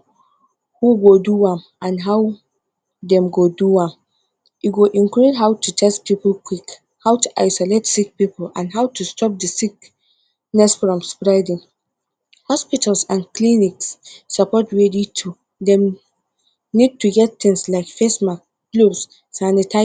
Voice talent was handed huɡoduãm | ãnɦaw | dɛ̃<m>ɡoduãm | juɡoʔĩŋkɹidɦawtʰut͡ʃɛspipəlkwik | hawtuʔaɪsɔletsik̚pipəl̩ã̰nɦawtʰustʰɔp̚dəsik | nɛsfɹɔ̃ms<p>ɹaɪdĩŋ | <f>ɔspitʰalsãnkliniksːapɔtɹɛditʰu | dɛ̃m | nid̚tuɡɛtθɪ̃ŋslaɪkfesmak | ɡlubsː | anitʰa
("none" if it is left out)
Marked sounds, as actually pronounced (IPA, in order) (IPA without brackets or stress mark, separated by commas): m, p, h